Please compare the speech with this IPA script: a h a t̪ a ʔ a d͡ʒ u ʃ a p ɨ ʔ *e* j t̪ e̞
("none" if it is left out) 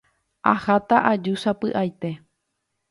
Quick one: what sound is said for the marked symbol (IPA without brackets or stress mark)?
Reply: a